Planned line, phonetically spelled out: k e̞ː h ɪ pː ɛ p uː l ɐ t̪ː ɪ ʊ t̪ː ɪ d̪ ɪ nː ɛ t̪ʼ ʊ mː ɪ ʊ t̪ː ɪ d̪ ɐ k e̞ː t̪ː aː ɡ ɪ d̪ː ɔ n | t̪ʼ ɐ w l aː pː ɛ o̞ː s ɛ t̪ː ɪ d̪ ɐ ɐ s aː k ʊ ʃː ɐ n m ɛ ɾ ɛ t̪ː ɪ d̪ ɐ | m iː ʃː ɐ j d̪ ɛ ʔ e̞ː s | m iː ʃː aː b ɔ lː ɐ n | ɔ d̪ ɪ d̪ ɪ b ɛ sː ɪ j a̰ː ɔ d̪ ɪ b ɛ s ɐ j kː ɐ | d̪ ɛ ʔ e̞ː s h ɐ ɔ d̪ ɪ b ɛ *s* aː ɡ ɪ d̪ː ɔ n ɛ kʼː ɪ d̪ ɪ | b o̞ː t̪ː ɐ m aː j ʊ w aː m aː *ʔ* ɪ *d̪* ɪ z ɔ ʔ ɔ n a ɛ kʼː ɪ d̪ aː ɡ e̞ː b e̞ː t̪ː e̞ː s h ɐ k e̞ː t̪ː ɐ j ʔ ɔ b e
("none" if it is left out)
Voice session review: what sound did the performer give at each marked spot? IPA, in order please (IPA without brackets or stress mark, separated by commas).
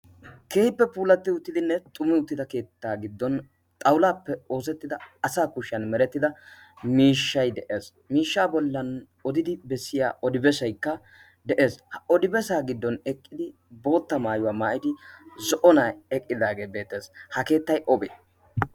s, ʔ, d̪